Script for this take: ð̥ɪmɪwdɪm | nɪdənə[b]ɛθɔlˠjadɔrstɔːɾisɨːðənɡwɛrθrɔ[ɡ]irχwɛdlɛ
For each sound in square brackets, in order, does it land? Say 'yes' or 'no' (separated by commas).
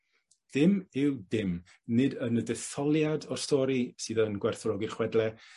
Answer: no, yes